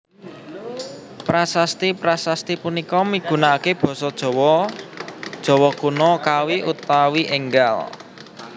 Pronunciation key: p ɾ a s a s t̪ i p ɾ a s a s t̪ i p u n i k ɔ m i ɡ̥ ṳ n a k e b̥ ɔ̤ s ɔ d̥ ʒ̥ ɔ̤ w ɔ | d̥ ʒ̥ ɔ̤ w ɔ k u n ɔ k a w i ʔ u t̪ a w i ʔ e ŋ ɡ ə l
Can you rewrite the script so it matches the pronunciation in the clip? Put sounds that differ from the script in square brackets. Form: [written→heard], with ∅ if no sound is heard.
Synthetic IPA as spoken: p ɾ a s a s t̪ i p ɾ a s a s t̪ i p u n i k ɔ m i ɡ̥ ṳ n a k e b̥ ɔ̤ s ɔ d̥ ʒ̥ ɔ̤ w ɔ | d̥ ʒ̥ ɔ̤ w ɔ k u n ɔ k a w i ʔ u t̪ a w i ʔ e ŋ ɡ [ə→a] l